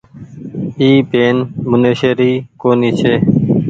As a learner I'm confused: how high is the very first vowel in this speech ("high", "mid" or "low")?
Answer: high